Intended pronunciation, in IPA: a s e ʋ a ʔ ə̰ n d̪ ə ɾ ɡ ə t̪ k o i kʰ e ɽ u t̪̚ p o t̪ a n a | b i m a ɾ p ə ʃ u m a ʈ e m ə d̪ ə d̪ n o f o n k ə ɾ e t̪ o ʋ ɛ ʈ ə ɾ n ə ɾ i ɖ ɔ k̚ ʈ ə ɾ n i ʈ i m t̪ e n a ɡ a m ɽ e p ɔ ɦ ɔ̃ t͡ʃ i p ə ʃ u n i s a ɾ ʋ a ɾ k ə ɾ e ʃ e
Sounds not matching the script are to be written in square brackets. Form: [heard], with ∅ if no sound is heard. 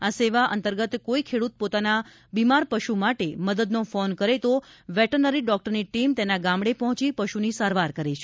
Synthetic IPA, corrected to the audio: a s e ʋ a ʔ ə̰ n [t̪] ə ɾ ɡ ə t̪ k o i kʰ e ɽ u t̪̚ p o t̪ a n a | b i m a ɾ p ə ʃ u m a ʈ e m ə d̪ ə d̪ n o f o n k ə ɾ e t̪ o ʋ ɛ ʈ ə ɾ n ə ɾ i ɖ ɔ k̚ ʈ ə ɾ n i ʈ i m t̪ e n a ɡ a m ɽ e p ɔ ɦ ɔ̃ t͡ʃ i p ə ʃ u n i s a ɾ ʋ a ɾ k ə ɾ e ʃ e